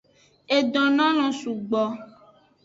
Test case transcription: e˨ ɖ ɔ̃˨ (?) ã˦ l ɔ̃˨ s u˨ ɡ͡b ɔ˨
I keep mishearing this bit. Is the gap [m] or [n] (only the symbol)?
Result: n